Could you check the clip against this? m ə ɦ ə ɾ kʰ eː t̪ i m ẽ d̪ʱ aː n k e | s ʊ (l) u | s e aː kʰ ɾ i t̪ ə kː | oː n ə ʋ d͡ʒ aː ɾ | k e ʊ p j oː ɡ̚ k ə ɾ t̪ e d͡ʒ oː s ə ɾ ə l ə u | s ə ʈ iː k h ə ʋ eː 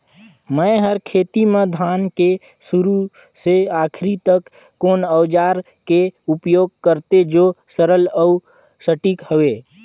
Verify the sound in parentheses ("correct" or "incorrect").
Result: incorrect